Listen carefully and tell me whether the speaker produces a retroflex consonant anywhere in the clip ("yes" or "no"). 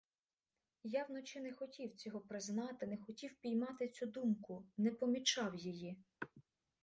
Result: no